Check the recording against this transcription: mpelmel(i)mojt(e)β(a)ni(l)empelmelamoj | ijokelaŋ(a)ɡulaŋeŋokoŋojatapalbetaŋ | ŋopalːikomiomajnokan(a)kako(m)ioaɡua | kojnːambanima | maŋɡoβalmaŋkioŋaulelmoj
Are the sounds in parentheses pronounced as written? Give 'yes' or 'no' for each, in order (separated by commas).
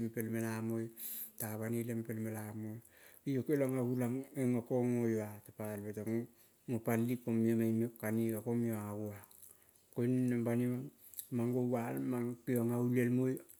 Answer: no, no, yes, yes, yes, no, yes